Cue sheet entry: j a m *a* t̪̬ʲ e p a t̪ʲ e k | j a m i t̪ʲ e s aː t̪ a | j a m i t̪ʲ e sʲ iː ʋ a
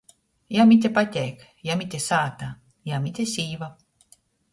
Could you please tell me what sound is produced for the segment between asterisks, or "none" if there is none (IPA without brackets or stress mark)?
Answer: i